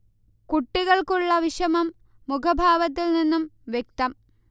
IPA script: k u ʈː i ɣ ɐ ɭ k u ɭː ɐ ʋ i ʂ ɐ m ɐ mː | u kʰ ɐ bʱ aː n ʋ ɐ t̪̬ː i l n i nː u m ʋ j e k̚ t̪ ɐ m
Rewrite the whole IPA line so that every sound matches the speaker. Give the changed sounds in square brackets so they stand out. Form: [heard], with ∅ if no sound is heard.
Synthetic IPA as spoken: k u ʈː i ɣ ɐ ɭ k u ɭː ɐ ʋ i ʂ ɐ m ɐ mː | u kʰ ɐ bʱ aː [∅] ʋ ɐ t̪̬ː i l n i nː u m ʋ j e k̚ t̪ ɐ m